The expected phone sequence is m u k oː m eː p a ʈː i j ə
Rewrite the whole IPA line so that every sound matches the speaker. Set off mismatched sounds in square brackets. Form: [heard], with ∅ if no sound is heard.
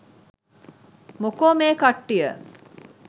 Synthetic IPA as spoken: m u k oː m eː [k] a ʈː i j ə